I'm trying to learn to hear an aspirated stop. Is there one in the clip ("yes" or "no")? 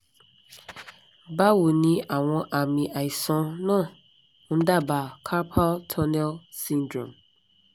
yes